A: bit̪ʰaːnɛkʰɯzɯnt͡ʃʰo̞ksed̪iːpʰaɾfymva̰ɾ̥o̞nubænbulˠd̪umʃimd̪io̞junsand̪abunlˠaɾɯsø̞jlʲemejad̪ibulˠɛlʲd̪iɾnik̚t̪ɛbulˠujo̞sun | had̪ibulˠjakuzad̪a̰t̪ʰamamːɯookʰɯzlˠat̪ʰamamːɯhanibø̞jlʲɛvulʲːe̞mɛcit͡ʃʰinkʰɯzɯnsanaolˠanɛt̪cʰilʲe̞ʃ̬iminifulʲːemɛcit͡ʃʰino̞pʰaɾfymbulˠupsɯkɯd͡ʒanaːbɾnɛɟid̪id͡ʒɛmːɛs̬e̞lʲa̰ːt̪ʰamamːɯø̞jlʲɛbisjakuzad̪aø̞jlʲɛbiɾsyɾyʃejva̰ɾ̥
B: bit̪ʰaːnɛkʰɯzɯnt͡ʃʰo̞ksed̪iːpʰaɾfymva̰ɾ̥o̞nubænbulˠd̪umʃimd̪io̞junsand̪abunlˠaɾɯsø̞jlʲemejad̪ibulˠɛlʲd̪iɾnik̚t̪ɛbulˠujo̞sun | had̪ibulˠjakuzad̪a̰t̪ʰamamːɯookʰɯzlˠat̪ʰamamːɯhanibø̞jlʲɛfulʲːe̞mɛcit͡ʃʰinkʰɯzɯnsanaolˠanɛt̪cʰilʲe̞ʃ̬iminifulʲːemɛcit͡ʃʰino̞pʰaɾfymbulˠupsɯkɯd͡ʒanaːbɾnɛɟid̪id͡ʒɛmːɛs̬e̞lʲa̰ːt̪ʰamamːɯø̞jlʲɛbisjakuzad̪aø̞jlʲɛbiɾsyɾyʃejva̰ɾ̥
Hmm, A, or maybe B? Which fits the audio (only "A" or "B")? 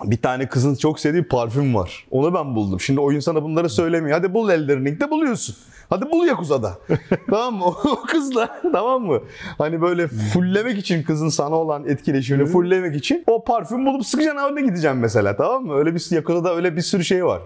B